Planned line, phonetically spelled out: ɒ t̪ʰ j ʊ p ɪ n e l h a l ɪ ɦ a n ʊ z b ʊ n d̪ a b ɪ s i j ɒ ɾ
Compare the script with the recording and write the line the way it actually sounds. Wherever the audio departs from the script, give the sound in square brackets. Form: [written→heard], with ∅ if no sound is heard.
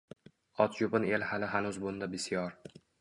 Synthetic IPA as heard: ɒ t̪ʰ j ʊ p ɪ n e l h a l ɪ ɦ a n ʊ z b ʊ n d̪ a b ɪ s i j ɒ ɾ